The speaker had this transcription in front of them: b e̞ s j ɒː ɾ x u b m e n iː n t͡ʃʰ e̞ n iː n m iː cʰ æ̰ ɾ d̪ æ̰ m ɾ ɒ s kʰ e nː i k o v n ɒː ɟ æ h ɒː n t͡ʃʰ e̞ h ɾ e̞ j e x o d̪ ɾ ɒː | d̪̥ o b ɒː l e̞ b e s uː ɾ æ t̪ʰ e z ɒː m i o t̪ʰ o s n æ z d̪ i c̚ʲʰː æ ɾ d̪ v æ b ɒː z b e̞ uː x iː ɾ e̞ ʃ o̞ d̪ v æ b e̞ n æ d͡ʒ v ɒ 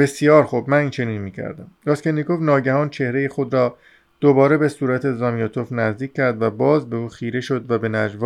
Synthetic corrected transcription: b e̞ s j ɒː ɾ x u b m æ n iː n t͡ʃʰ e̞ n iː n m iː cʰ æ̰ ɾ d̪ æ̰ m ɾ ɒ s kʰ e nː i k o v n ɒː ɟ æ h ɒː n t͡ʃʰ e̞ h ɾ e̞ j e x o d̪ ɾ ɒː | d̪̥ o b ɒː ɾ e̞ b e s uː ɾ æ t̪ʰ e z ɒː m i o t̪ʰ o f n æ z d̪ iː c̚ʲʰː æ ɾ d̪ v æ b ɒː z b e̞ uː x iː ɾ e̞ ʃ o̞ d̪ v æ b e̞ n æ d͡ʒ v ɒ